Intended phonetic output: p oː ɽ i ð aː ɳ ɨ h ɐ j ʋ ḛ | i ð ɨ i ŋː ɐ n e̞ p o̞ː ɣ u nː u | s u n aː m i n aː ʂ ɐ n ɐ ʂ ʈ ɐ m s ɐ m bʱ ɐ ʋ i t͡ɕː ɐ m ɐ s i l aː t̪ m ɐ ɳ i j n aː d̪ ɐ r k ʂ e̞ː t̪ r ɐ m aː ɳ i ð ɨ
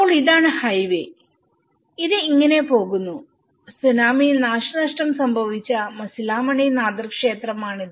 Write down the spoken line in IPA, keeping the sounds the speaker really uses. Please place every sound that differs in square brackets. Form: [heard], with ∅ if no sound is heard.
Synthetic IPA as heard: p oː [ɭ] i ð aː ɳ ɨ h ɐ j ʋ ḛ | i ð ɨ i ŋː ɐ n e̞ p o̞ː ɣ u nː u | s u n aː m i n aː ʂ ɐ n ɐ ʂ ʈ ɐ m s ɐ m bʱ ɐ ʋ i t͡ɕː ɐ m ɐ s i l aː [∅] m ɐ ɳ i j n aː d̪ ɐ r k ʂ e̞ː t̪ r ɐ m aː ɳ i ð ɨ